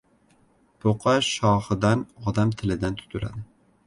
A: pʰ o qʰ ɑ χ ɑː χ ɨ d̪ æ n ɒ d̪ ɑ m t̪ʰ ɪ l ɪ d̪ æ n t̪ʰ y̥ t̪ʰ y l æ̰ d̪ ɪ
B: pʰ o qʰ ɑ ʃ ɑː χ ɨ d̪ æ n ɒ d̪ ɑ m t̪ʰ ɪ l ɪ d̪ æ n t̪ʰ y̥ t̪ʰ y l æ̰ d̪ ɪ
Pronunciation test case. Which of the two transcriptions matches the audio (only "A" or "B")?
B